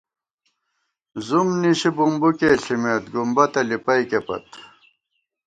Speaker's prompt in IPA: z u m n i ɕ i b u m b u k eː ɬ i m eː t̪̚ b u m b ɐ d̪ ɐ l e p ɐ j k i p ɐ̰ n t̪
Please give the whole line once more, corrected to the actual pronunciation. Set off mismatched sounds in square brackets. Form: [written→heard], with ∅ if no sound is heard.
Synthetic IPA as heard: z u m n i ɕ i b u m b u k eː ɬ i m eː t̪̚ [b→ɡ] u m b ɐ [d̪→t̪] ɐ l [e→i] p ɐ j k [i→e] p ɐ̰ [n→∅] t̪